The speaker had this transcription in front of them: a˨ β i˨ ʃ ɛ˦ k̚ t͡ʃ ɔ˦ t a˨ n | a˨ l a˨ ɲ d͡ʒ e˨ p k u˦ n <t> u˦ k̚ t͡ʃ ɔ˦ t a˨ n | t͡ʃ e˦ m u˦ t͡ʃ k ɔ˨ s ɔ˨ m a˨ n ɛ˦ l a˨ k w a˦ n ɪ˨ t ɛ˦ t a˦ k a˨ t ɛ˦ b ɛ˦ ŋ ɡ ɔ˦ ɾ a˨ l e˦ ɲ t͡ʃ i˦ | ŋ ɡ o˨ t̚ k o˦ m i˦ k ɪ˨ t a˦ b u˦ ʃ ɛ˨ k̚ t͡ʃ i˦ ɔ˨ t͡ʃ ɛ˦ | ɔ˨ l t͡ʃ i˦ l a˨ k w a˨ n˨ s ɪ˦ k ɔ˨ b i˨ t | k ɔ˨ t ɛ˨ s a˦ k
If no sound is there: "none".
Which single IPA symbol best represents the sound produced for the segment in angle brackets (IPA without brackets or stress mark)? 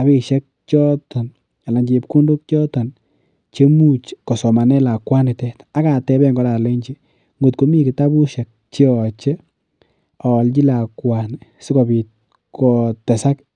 d